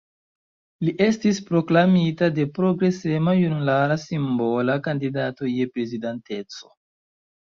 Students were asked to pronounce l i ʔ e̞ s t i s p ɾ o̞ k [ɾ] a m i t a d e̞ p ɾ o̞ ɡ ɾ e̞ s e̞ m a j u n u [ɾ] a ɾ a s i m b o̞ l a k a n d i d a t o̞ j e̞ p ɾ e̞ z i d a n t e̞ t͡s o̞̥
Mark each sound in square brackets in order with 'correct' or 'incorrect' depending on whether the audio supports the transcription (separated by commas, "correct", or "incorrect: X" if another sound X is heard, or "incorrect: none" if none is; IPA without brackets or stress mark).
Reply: incorrect: l, incorrect: l